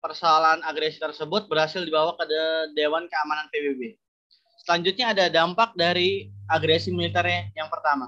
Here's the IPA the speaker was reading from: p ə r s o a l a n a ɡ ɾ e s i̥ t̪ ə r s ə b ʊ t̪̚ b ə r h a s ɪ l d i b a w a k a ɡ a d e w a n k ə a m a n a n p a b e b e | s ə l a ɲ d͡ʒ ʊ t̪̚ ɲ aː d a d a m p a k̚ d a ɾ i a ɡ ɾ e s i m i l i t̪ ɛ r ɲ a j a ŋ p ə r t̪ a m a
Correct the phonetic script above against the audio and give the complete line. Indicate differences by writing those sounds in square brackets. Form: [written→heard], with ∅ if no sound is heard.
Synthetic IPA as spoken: p ə r s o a l a n a ɡ ɾ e s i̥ t̪ ə r s ə b ʊ t̪̚ b ə r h a s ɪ l d i b a w a k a [ɡ→d] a d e w a n k ə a m a n a n p [a→e] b e b e | s ə l a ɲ d͡ʒ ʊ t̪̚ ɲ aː d a d a m p a k̚ d a ɾ i a ɡ ɾ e s i m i l i t̪ ɛ r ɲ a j a ŋ p ə r t̪ a m a